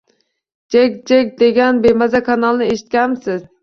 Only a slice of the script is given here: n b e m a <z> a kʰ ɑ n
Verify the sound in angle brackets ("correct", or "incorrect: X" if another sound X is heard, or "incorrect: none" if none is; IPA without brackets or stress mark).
correct